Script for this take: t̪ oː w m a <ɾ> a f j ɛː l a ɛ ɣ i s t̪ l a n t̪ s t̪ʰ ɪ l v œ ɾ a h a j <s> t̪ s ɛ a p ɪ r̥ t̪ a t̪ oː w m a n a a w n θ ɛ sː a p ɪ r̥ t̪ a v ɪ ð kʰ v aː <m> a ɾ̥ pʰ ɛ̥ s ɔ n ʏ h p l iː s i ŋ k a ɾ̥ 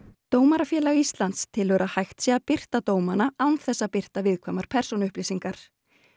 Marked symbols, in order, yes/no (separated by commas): yes, no, yes